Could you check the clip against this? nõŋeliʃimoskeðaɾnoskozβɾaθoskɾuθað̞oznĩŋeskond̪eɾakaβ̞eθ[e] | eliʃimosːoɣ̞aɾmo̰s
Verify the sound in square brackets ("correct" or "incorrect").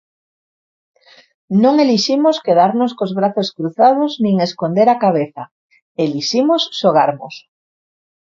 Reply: incorrect